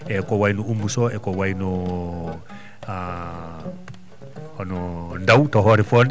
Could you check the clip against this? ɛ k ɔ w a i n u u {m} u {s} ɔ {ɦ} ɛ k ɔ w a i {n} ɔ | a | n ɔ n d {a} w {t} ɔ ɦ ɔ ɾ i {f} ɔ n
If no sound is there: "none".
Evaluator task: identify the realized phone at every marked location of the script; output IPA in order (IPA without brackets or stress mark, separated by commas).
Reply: m, s, none, n, a, t, f